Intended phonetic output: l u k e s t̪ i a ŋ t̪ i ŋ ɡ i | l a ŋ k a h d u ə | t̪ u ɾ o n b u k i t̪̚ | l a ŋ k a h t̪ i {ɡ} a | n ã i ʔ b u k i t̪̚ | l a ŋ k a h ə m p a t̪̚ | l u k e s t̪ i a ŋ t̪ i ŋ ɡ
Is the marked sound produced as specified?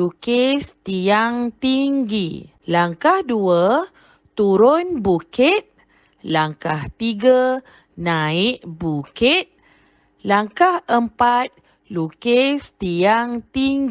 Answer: yes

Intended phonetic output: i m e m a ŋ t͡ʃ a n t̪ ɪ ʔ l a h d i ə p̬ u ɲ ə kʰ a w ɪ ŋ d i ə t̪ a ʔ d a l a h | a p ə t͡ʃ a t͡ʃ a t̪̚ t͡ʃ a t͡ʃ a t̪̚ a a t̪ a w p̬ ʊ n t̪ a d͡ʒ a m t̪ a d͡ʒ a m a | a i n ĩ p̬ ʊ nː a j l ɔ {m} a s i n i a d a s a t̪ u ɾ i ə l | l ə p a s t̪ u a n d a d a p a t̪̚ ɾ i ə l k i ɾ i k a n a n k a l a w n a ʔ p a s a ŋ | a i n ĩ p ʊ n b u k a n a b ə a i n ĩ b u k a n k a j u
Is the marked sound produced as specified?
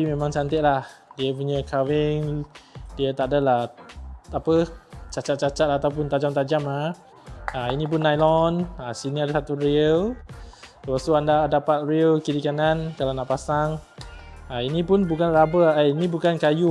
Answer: no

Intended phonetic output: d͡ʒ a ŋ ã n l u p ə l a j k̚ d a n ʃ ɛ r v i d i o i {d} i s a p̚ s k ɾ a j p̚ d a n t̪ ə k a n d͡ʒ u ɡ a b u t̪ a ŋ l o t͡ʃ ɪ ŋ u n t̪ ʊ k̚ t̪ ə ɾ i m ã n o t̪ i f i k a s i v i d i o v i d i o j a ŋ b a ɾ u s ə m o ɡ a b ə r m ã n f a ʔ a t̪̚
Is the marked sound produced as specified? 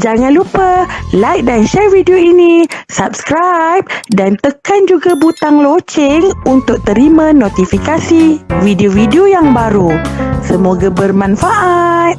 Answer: no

